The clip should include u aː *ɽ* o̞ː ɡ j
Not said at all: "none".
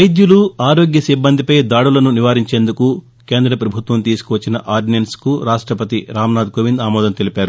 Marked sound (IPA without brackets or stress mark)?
ɾ